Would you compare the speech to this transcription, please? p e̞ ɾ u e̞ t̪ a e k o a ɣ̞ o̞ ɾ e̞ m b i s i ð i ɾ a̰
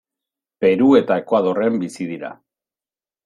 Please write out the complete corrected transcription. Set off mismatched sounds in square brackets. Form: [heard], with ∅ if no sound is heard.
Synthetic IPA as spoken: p e̞ ɾ u e̞ t̪ a e k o a [ð̞] o̞ [r] e̞ m b i s i ð i ɾ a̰